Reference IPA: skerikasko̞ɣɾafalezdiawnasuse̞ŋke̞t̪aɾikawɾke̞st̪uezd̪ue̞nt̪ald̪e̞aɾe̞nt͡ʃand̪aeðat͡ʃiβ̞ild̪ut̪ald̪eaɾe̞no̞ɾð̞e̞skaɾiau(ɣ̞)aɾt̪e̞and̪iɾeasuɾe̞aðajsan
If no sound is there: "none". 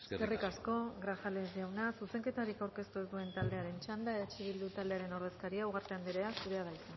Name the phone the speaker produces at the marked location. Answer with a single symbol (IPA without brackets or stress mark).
ɣ̞